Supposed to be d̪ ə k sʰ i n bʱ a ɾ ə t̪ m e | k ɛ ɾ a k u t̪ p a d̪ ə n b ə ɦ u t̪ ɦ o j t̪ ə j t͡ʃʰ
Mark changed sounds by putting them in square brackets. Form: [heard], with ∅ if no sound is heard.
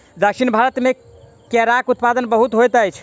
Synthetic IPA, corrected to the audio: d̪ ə k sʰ i n bʱ a ɾ ə t̪ m e | k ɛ ɾ a k u t̪ p a d̪ ə n b ə ɦ u t̪ ɦ o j t̪ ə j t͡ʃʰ